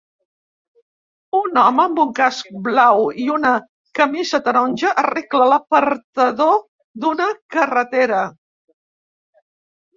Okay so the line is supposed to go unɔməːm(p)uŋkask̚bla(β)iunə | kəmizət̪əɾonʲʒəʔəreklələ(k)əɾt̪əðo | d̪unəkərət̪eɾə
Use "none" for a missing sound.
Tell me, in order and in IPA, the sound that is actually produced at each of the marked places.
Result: b, w, p

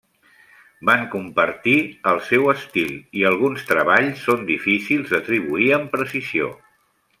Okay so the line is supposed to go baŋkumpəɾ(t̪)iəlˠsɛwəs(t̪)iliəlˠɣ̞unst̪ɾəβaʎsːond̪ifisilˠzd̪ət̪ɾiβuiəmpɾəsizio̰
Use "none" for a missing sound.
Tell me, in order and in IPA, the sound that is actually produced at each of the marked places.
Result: t̪, t̪

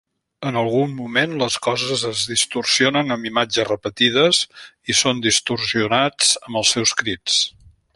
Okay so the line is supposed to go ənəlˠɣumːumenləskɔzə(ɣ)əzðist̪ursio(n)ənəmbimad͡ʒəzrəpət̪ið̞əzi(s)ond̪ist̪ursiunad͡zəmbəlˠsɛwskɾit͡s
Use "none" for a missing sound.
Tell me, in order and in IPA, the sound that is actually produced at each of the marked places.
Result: z, n, s

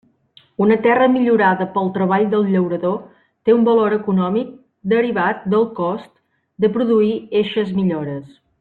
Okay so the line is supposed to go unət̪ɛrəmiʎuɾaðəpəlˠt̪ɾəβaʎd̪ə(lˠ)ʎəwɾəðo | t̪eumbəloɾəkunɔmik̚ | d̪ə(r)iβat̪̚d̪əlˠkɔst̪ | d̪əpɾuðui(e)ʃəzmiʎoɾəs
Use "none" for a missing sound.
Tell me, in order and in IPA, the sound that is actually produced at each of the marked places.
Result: lˠ, ɾ, e

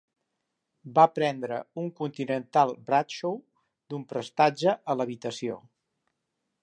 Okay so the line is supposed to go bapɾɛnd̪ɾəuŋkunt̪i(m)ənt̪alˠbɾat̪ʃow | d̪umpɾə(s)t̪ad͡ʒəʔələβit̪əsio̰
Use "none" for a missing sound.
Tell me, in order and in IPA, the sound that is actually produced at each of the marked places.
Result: n, s

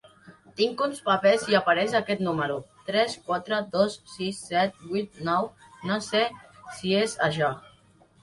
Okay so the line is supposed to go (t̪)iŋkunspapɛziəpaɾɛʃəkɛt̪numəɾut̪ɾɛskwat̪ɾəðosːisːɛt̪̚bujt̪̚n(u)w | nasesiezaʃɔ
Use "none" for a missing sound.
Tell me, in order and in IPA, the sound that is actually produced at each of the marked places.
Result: t̪, ɔ

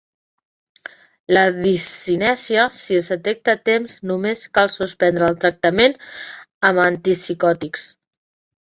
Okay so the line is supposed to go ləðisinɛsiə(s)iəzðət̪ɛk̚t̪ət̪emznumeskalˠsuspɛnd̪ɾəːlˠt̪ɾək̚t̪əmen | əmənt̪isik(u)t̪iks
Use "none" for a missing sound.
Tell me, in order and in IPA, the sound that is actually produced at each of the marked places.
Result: s, ɔ

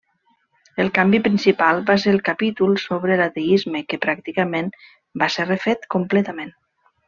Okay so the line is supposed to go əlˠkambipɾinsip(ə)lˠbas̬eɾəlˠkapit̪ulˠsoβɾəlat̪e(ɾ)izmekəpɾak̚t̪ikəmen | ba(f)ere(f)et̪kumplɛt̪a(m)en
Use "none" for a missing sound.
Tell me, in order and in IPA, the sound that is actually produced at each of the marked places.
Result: a, none, s, f, m

